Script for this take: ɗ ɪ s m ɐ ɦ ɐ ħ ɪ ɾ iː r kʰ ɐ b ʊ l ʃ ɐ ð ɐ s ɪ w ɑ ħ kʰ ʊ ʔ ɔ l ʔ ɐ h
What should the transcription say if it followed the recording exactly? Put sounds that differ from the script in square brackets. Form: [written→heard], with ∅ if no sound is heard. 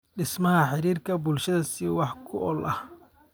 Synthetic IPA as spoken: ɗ ɪ s m ɐ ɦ ɐ ħ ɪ ɾ iː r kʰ ɐ b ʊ l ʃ ɐ ð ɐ s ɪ w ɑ ħ kʰ ʊ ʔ ɔ l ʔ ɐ h